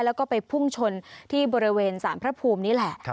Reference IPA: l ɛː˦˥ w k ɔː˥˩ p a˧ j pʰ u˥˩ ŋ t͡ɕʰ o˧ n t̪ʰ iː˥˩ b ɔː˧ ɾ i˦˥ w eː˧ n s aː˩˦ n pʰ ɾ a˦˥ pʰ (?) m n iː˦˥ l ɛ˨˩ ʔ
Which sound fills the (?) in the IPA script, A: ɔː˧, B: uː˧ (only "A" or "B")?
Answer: B